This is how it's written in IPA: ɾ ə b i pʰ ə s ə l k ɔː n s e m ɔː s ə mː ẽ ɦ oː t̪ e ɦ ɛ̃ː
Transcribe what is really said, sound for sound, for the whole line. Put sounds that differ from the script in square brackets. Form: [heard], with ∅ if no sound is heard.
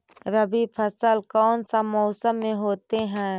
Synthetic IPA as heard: ɾ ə b i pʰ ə s ə l k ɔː n s [a] m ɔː s ə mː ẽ ɦ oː t̪ e ɦ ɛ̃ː